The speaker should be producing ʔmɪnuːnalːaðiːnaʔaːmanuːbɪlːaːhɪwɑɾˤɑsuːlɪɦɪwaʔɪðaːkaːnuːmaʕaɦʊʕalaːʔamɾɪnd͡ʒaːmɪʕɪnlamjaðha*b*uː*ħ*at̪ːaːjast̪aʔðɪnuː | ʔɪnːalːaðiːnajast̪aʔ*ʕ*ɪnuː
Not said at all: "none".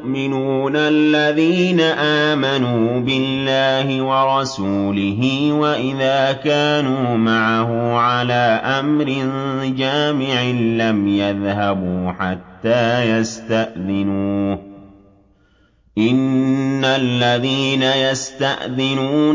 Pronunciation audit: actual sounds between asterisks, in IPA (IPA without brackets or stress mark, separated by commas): b, ħ, ð